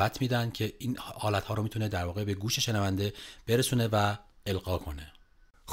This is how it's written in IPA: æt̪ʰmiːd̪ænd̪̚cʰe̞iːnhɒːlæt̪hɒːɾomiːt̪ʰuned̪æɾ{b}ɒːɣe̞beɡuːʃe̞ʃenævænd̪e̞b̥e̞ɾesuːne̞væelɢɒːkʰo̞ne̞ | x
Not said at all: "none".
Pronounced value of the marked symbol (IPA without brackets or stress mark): v